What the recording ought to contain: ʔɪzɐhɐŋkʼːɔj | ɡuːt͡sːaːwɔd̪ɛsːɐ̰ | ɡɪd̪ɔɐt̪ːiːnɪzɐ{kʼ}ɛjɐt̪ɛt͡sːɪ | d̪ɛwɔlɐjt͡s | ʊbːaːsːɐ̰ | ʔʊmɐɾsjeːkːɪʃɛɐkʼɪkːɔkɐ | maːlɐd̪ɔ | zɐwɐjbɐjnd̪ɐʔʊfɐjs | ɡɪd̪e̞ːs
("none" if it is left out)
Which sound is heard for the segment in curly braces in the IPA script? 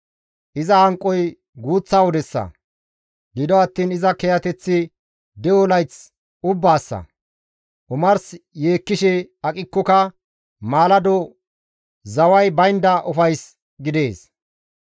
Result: k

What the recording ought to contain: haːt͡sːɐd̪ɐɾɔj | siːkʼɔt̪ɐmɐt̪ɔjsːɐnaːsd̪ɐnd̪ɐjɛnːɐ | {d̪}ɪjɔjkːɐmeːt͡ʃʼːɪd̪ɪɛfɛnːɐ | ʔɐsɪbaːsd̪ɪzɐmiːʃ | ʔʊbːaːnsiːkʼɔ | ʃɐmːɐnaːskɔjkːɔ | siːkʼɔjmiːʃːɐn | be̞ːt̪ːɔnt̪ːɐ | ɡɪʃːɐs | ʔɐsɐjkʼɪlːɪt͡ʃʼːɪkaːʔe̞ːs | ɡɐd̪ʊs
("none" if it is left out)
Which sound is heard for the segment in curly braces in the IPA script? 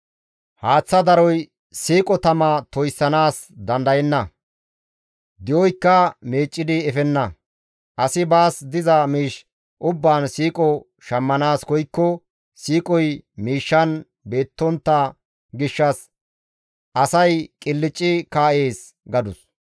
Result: d̪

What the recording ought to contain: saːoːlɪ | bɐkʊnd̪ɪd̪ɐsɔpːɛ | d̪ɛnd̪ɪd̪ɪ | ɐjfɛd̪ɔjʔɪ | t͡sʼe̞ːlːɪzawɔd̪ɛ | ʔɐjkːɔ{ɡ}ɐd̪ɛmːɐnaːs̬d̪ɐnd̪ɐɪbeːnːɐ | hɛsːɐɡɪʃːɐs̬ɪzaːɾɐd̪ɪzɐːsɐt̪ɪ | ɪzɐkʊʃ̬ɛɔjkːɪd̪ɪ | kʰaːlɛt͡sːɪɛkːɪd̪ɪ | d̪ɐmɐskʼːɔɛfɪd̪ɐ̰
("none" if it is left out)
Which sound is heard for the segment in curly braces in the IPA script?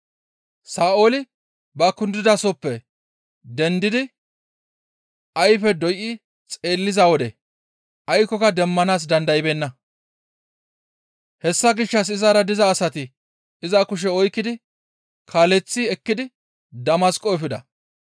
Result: k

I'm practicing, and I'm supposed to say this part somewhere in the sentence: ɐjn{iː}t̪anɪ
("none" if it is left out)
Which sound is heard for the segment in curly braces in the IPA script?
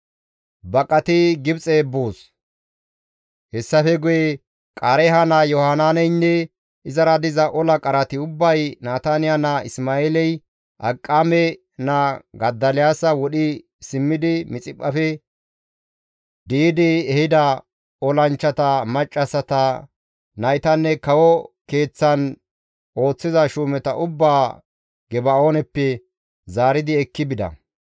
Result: aː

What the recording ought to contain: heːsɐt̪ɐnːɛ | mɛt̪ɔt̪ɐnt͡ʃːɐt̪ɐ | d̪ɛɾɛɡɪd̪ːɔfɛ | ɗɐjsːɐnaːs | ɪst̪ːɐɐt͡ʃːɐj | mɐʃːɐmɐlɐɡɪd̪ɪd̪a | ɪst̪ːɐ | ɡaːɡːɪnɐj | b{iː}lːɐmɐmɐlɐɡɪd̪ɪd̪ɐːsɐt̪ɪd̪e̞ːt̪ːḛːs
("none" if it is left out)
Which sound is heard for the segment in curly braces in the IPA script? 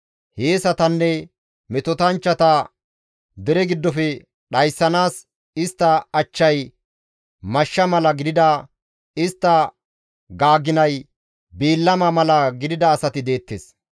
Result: iː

